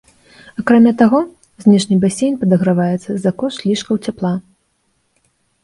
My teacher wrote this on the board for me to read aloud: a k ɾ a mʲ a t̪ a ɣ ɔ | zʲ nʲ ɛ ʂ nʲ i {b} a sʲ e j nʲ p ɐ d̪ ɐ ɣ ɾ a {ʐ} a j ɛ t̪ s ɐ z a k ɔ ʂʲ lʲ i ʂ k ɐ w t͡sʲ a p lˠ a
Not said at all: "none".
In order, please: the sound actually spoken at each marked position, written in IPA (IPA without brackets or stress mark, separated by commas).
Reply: b, v